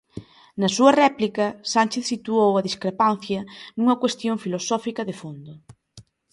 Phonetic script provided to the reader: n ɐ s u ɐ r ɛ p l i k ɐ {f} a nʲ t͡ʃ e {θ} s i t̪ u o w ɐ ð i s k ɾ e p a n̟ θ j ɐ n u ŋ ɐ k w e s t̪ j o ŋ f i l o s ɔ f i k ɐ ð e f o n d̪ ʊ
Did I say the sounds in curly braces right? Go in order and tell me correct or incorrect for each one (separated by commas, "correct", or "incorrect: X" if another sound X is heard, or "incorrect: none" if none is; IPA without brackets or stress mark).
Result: incorrect: s, correct